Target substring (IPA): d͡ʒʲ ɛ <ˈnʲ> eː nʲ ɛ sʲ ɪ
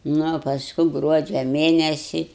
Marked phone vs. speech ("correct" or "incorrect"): incorrect